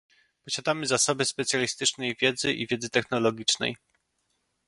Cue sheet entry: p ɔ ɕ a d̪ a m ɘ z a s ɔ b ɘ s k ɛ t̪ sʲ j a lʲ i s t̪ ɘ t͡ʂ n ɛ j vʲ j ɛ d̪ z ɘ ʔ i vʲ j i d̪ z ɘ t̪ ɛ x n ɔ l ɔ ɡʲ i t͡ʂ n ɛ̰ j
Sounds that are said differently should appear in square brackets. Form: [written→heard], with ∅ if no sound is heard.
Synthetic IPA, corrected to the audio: p ɔ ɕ a d̪ a m ɘ z a s ɔ b ɘ s [k→p] ɛ t̪ sʲ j a lʲ i s t̪ ɘ t͡ʂ n ɛ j vʲ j ɛ d̪ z ɘ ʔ i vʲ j [i→ɛ] d̪ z ɘ t̪ ɛ x n ɔ l ɔ ɡʲ i t͡ʂ n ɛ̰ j